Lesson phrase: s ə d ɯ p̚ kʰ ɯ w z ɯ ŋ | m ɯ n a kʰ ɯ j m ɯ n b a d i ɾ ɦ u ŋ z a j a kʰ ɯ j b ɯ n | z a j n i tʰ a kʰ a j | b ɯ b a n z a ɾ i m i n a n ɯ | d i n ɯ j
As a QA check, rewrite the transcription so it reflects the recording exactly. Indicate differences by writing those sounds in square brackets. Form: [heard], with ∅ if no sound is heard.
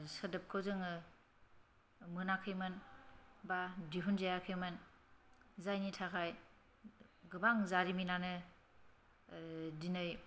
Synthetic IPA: s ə d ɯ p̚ kʰ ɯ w z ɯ ŋ | m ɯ n a kʰ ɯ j m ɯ n b a d i [∅] ɦ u [n] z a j a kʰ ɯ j [m] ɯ n | z a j n i tʰ a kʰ a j | [ɡ] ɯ b a [ŋ] z a ɾ i m i n a n ɯ | d i n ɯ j